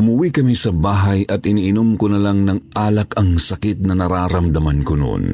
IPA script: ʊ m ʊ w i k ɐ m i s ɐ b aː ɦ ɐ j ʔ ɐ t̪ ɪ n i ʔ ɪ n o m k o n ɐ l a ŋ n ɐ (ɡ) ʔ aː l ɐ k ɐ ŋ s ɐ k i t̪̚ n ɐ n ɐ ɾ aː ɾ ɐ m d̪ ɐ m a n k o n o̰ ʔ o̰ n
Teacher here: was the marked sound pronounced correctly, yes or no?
no